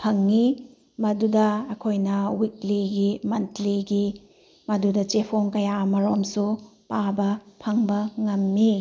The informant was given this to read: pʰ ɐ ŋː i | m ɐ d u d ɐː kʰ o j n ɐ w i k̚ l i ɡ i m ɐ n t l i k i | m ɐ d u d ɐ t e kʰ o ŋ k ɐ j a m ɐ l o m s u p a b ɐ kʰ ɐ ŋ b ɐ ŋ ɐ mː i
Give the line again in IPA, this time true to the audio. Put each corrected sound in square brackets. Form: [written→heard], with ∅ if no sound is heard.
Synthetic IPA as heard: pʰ ɐ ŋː i | m ɐ d u d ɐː kʰ o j n ɐ w i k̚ l i ɡ i m ɐ n t l i [k→ɡ] i | m ɐ d u d ɐ [t→t͡ʃ] e [kʰ→pʰ] o ŋ k ɐ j a m ɐ [l→ɾ] o m s u p a b ɐ [kʰ→pʰ] ɐ ŋ b ɐ ŋ ɐ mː i